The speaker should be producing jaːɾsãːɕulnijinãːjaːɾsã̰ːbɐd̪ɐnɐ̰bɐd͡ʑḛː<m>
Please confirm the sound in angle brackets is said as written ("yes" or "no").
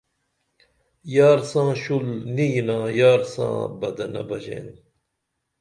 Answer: no